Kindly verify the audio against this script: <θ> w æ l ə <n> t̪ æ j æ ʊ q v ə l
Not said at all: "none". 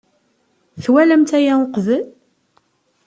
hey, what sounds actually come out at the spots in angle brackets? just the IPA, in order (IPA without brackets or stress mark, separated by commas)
θ, m